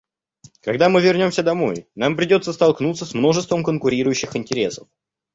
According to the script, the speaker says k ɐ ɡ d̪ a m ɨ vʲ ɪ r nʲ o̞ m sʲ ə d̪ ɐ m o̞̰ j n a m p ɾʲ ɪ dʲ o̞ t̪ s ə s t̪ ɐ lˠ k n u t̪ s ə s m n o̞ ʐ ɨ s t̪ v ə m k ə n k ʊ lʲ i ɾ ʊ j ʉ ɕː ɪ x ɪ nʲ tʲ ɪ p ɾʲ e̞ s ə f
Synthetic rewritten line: k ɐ ɡ d̪ a m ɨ vʲ ɪ r nʲ o̞ m sʲ ə d̪ ɐ m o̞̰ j n a m p ɾʲ ɪ dʲ o̞ t̪ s ə s t̪ ɐ lˠ k n u t̪ s ə s m n o̞ ʐ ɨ s t̪ v ə m k ə n k ʊ ɾʲ i ɾ ʊ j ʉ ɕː ɪ x ɪ nʲ tʲ ɪ ɾʲ e̞ s ə f

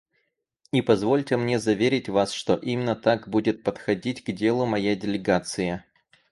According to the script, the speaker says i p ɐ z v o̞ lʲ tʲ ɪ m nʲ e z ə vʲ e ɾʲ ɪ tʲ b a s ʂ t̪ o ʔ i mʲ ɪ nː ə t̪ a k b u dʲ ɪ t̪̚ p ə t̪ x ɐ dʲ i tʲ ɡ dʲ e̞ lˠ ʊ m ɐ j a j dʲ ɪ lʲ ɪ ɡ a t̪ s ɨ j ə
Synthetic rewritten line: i p ɐ z v o̞ lʲ tʲ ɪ m nʲ e z ɐ vʲ e ɾʲ ɪ tʲ v a s ʂ t̪ o ʔ i mʲ ɪ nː ə t̪ a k b u dʲ ɪ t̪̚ p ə t̪ x ɐ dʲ i tʲ ɡ dʲ e̞ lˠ ʊ m ɐ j a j dʲ ɪ lʲ ɪ ɡ a t̪ s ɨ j ə

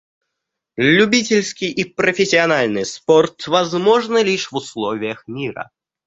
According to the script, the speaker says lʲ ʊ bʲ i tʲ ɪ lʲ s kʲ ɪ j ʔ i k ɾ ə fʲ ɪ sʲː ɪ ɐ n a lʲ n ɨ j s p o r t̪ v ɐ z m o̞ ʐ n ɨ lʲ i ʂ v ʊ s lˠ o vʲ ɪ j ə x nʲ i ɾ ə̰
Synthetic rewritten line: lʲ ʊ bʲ i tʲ ɪ lʲ s kʲ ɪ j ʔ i p ɾ ə fʲ ɪ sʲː ɪ ɐ n a lʲ n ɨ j s p o r t̪ v ɐ z m o̞ ʐ n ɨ lʲ i ʂ v ʊ s lˠ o vʲ ɪ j ə x mʲ i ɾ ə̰

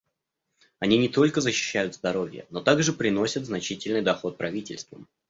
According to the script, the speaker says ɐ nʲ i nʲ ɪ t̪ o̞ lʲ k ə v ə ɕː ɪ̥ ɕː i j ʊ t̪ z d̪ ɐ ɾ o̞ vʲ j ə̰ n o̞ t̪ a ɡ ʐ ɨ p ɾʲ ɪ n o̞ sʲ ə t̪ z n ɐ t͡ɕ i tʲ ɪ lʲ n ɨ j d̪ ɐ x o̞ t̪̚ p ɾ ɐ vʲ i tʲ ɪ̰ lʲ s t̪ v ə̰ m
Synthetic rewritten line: ɐ nʲ i nʲ ɪ t̪ o̞ lʲ k ə z ə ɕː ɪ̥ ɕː æ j ʊ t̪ z d̪ ɐ ɾ o̞ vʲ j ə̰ n o̞ t̪ a ɡ ʐ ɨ p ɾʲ ɪ n o̞ sʲ ə t̪ z n ɐ t͡ɕ i tʲ ɪ lʲ n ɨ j d̪ ɐ x o̞ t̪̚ p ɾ ɐ vʲ i tʲ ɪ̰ lʲ s t̪ v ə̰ m

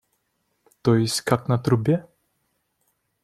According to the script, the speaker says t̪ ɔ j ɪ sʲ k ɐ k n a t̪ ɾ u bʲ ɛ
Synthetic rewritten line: t̪ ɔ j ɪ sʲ k a k n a t̪ ɾ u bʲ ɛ

